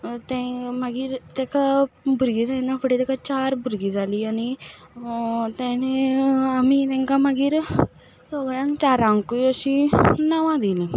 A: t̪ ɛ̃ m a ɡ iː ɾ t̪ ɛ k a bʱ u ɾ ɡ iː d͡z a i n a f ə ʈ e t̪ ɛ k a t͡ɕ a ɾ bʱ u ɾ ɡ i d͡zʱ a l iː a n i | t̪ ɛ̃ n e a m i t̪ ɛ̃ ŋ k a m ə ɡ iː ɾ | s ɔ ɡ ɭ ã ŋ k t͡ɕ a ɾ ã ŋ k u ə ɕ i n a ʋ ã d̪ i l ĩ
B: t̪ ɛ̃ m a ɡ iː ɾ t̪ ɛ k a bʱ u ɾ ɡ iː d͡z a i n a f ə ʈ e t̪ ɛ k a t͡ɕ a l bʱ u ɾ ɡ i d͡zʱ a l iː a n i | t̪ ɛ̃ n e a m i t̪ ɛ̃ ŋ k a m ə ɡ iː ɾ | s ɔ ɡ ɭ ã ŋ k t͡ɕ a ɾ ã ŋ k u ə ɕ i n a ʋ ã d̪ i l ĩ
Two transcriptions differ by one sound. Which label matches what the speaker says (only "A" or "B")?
A